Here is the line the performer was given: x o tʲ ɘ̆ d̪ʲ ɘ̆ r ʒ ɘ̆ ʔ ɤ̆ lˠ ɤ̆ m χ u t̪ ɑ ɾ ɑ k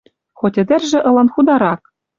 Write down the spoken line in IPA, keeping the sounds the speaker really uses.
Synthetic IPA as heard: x o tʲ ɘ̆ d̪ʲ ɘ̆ r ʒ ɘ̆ ʔ ɤ̆ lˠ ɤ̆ n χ u d̪ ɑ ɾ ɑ k